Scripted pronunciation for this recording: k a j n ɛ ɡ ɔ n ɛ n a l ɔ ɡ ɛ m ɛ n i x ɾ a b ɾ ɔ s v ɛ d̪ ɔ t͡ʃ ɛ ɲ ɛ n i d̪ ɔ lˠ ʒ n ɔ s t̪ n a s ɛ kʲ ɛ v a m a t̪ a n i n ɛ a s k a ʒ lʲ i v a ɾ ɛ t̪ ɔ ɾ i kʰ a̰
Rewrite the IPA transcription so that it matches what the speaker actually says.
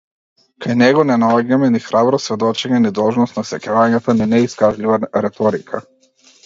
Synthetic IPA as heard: k a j n ɛ ɡ ɔ n ɛ n a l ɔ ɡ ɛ m ɛ n i x ɾ a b ɾ ɔ s v ɛ d̪ ɔ t͡ʃ ɛ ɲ ɛ n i d̪ ɔ lˠ ʒ n ɔ s t̪ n a s ɛ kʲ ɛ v a ɲ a t̪ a n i n ɛ i s k a ʒ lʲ i v a ɾ ɛ t̪ ɔ ɾ i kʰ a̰